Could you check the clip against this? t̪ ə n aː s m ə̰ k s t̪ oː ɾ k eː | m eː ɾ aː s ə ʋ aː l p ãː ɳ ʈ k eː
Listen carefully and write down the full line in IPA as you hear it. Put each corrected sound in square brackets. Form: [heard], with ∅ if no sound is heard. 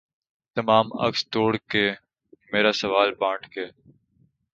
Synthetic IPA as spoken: t̪ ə [m] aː [∅] m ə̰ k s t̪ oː [ɽ] k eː | m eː ɾ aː s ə ʋ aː l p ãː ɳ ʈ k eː